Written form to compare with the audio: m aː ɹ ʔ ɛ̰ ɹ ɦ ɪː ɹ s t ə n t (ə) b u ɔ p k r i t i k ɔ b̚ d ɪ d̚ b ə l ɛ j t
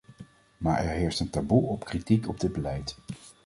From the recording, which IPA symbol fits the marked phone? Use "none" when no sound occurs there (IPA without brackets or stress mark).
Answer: a